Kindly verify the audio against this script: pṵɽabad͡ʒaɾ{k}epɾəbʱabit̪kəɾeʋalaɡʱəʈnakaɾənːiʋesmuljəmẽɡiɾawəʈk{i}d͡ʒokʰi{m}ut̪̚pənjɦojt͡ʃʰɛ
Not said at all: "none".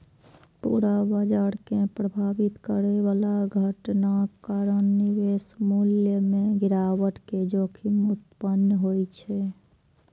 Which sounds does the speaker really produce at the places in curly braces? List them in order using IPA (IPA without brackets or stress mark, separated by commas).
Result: k, e, m